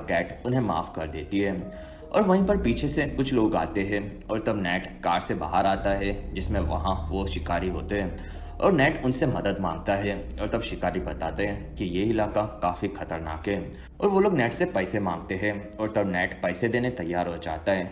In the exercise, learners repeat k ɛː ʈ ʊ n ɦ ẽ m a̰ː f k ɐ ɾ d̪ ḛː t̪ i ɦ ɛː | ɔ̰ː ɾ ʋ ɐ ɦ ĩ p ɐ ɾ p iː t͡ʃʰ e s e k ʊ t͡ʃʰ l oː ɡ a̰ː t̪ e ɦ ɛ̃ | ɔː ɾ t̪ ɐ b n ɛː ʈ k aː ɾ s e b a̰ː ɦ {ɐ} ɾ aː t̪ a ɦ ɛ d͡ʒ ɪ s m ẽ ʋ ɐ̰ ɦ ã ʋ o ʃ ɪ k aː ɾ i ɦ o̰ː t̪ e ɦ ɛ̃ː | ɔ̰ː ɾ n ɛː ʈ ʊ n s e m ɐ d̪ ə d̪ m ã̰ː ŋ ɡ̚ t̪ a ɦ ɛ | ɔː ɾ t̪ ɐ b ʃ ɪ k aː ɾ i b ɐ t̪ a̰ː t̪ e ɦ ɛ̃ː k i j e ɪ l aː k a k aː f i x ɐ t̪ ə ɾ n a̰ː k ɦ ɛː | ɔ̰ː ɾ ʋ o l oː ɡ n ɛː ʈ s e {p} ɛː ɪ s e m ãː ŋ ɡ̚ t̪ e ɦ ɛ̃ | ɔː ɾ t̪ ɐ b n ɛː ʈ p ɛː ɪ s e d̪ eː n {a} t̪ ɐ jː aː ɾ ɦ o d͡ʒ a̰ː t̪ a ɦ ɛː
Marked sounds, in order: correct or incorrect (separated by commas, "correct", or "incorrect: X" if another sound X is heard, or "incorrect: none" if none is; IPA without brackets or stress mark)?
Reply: incorrect: ə, correct, incorrect: e